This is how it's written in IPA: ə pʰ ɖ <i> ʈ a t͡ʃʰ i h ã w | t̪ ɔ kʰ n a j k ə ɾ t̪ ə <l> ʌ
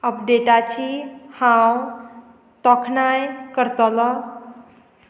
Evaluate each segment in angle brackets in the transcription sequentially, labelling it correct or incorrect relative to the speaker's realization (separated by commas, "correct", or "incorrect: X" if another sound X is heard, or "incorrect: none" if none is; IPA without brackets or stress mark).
incorrect: e, correct